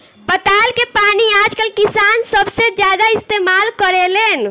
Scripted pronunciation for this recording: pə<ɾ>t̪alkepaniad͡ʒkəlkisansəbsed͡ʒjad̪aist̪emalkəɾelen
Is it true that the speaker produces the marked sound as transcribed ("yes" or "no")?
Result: no